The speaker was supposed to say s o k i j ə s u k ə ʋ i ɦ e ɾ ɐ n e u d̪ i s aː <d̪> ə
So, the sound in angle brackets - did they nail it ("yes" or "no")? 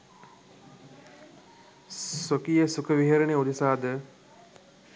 yes